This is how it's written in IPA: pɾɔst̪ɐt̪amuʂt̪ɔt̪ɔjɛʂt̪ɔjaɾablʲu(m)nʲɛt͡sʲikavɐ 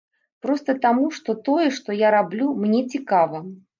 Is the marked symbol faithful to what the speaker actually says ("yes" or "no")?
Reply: yes